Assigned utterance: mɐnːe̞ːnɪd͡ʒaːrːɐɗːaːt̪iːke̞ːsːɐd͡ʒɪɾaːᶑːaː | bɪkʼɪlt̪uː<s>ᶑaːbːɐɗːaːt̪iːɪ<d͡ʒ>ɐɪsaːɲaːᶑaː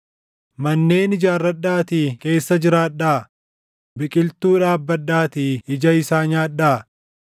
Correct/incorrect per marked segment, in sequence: incorrect, correct

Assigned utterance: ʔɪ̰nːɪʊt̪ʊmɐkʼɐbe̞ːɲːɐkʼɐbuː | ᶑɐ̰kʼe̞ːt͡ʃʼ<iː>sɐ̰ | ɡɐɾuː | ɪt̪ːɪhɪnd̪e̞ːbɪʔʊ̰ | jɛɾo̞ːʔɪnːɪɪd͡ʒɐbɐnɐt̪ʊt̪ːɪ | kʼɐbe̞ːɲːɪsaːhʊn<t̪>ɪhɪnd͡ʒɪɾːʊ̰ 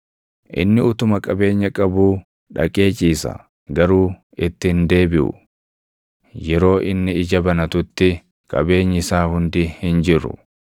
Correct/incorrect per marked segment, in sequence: correct, incorrect

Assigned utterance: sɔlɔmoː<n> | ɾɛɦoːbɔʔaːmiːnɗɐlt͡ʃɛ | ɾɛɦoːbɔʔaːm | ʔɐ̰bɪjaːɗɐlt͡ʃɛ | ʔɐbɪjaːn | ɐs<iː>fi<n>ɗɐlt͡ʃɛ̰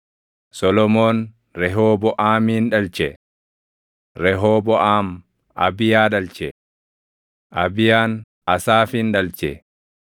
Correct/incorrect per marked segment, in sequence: correct, incorrect, correct

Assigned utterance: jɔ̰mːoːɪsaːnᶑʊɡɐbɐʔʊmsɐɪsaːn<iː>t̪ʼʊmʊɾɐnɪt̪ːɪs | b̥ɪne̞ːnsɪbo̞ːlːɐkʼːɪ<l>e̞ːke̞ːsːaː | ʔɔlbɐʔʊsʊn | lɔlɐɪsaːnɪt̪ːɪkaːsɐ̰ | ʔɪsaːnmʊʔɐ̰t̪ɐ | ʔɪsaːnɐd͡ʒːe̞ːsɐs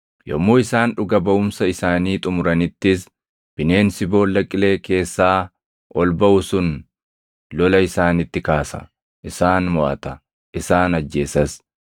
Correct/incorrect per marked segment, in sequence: correct, correct

